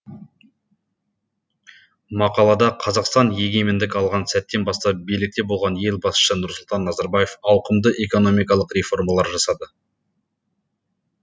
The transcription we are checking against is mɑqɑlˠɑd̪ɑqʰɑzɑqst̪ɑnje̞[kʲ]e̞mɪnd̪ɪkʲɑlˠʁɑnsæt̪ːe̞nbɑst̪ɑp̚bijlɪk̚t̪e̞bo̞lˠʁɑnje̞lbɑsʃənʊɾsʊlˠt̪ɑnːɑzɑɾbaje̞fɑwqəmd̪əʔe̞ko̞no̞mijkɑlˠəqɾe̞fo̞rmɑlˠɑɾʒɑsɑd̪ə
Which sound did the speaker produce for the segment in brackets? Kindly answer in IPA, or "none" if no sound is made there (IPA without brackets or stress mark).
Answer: ɡʲ